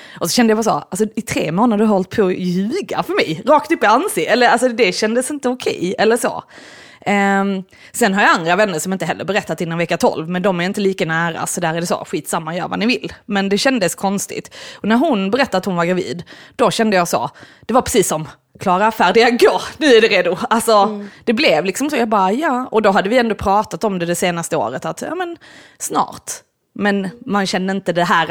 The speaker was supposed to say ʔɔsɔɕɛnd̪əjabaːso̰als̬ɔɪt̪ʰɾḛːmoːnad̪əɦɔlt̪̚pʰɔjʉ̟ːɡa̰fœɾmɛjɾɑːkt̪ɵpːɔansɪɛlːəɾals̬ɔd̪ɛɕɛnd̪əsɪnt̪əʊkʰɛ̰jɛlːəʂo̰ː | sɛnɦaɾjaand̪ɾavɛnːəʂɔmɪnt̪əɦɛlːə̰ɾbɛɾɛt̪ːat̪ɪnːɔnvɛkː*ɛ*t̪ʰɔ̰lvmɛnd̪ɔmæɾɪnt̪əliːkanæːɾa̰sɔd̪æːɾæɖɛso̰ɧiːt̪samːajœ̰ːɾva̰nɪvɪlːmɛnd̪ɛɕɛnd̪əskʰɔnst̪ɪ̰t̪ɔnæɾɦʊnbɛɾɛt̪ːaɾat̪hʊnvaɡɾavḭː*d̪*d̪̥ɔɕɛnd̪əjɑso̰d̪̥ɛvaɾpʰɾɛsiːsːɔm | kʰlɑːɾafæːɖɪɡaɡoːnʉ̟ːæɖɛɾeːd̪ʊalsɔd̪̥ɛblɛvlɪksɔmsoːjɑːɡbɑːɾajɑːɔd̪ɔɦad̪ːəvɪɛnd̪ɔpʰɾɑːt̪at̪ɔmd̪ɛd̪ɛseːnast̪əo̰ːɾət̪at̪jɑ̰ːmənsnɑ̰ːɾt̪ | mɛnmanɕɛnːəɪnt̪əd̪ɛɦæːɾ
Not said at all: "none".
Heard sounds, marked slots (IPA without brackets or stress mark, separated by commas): a, d̪